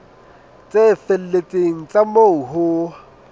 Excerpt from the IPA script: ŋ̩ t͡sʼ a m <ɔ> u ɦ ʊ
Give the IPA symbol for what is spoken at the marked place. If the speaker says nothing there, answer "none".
o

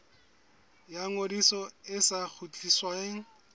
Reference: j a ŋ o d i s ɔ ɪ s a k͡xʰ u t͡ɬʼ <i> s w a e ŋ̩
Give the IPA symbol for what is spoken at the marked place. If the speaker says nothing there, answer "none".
i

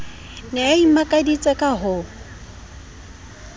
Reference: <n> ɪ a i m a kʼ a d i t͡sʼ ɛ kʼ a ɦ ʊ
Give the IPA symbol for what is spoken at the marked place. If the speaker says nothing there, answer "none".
n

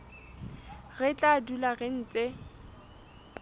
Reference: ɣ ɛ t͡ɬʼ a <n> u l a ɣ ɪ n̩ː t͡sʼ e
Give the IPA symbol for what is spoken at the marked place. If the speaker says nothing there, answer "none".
d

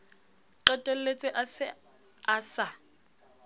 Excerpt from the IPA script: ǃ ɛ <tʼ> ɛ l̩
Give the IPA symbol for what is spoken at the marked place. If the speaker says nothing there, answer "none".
tʼ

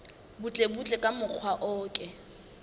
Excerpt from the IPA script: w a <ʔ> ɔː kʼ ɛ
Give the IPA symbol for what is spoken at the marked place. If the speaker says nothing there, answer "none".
ʔ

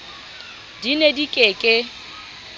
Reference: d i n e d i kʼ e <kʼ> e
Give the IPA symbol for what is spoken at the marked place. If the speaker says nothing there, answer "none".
kʼ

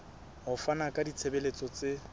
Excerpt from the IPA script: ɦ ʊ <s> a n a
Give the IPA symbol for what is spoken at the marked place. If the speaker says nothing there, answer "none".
f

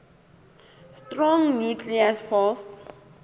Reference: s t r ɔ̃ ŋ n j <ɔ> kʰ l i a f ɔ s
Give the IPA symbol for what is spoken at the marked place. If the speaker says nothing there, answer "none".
u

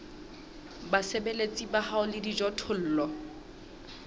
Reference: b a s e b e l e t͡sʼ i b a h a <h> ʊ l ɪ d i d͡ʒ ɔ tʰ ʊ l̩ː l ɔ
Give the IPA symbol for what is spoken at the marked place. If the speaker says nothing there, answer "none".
none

